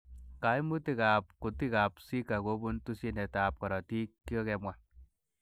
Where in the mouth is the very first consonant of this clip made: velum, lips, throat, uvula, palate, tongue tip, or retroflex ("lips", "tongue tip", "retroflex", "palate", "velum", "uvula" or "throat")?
velum